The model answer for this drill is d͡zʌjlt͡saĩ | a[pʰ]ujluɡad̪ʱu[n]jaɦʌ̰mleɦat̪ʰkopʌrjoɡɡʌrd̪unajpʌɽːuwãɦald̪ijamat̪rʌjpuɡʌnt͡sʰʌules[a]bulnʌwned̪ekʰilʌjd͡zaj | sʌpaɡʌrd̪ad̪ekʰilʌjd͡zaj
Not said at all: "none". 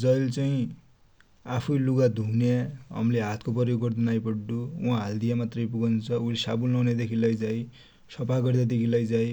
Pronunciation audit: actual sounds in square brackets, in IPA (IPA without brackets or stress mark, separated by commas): pʰ, n, a